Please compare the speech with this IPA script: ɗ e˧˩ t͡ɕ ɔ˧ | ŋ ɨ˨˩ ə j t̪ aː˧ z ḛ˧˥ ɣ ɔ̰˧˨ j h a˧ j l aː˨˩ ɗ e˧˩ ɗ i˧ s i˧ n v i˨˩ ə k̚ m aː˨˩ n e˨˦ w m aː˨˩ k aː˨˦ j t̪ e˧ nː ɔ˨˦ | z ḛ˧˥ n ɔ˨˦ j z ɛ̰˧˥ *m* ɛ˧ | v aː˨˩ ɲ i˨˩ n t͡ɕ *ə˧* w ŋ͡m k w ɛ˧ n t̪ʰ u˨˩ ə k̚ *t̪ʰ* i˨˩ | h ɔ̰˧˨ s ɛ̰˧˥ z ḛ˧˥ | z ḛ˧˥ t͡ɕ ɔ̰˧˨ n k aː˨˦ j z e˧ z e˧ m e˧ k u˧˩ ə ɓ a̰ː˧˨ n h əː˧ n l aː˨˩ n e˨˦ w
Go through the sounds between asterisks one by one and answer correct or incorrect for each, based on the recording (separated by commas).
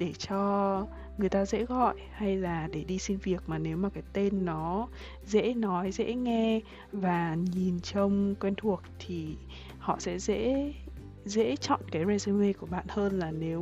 incorrect, correct, correct